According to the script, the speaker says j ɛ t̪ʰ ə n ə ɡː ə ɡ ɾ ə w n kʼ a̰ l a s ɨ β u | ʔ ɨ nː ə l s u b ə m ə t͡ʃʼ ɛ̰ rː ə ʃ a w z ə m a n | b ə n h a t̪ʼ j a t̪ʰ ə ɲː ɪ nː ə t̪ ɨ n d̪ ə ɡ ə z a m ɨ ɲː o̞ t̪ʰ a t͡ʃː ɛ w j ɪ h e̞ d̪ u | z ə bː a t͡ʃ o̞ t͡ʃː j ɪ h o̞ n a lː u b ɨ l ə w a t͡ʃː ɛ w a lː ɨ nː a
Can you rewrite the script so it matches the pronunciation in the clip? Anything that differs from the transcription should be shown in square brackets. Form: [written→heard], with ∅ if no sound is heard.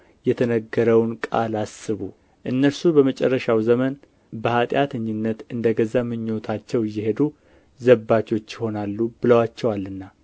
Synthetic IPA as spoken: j ɛ t̪ʰ ə n ə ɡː ə [ɡ→∅] ɾ ə w n kʼ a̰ l a s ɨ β u | ʔ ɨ nː ə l s u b ə m ə t͡ʃʼ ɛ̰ rː ə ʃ a w z ə m [a→ə] n | b ə [n→∅] h a t̪ʼ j a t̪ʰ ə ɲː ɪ nː ə t̪ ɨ n d̪ ə ɡ ə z a m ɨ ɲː o̞ t̪ʰ a t͡ʃː ɛ w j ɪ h e̞ d̪ u | z ə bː a t͡ʃ o̞ t͡ʃː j ɪ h o̞ n a lː u b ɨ l ə w a t͡ʃː ɛ w a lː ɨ nː a